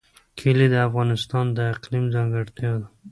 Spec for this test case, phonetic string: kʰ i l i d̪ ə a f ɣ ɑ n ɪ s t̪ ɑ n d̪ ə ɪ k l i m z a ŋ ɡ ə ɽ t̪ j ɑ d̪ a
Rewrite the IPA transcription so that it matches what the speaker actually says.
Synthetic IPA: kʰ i l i d̪ ə a f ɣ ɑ n ɪ s t̪ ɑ n d̪ ə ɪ q l i m z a ŋ ɡ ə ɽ t̪ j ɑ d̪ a